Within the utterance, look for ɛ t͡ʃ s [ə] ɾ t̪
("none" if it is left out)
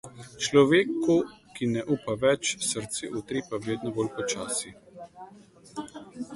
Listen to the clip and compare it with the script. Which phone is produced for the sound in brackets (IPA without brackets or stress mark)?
ə